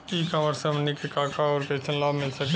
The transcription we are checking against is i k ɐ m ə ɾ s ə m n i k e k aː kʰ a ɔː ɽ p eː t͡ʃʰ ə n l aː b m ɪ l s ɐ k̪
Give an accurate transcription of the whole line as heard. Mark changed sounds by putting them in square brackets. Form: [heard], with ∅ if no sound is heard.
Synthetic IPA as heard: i k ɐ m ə ɾ s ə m n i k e k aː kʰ a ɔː [ɾ] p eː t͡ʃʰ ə n l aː b m ɪ l s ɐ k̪